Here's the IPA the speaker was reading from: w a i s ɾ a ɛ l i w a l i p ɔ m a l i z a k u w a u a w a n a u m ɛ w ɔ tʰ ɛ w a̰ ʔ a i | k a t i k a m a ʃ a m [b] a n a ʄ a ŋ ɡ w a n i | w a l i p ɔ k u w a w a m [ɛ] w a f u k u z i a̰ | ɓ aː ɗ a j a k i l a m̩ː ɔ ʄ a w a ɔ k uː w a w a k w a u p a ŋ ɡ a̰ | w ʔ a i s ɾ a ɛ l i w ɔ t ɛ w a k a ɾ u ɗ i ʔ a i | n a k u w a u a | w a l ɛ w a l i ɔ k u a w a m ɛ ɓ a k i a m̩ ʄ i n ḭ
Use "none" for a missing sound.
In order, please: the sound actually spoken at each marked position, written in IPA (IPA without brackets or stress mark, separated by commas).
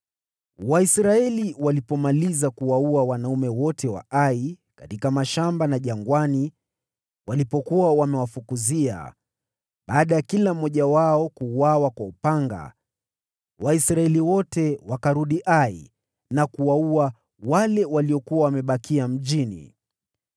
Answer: b, ɛ